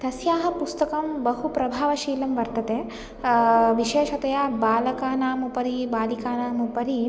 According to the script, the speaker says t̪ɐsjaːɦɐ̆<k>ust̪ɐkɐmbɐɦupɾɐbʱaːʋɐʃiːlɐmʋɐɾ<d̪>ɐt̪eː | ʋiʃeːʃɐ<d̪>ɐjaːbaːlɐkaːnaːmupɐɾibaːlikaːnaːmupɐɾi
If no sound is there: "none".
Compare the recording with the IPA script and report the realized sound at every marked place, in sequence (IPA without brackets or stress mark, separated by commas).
p, t̪, t̪